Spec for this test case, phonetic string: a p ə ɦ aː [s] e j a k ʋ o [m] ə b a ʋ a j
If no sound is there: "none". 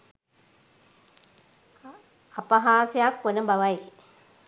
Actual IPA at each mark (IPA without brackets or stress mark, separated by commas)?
s, n